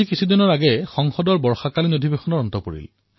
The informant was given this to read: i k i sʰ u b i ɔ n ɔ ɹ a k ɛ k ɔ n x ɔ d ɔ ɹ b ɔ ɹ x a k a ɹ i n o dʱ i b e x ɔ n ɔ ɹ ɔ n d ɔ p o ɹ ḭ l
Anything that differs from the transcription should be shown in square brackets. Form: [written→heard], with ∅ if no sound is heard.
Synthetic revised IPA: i k i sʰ u [b→d] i ɔ n ɔ ɹ a [k→ɡ] ɛ [k→x] ɔ [n→ŋ] x ɔ d ɔ ɹ b ɔ ɹ x a k a [ɹ→l] i n o dʱ i b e x ɔ n ɔ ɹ ɔ n [d→t] ɔ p o ɹ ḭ l